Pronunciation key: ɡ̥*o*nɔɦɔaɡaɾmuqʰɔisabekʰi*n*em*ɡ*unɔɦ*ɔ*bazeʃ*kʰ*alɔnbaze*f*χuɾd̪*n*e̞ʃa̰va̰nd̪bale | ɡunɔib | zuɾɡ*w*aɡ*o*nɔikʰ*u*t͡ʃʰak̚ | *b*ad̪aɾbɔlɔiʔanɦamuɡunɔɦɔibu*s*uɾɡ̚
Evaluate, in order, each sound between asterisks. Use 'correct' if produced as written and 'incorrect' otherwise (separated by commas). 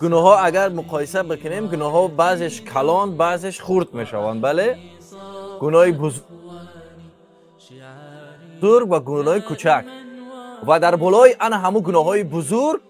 incorrect, correct, correct, correct, correct, incorrect, incorrect, incorrect, incorrect, correct, incorrect, incorrect